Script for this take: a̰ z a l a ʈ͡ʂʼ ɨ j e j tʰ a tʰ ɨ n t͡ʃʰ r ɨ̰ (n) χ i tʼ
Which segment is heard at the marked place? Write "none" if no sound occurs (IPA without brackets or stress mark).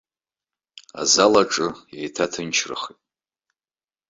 none